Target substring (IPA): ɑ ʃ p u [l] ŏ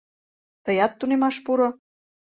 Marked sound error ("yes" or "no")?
yes